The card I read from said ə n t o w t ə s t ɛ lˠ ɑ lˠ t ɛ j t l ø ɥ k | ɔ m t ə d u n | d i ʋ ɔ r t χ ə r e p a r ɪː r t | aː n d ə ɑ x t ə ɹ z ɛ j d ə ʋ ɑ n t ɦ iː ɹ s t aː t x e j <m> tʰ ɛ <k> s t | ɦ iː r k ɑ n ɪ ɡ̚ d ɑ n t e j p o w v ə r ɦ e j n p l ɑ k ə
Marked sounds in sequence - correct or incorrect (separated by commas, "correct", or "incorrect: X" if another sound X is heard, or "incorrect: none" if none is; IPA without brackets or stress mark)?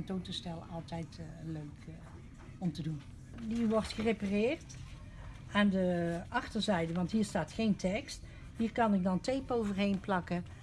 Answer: incorrect: n, correct